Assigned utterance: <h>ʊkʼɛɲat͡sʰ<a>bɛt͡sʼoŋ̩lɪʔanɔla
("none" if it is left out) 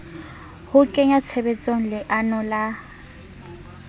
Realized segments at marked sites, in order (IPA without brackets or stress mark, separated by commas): h, ɛ